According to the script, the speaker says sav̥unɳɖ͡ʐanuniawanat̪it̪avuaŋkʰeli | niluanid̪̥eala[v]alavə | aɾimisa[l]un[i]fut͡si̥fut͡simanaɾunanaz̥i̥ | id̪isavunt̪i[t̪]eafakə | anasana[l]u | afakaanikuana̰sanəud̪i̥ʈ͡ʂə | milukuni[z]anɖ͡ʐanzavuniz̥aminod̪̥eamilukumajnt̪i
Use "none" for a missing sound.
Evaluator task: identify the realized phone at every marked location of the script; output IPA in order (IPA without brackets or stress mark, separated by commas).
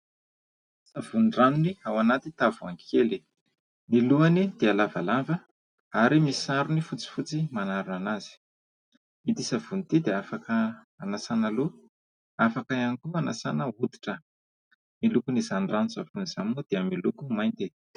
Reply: v, ɾ, i, d̪, l, z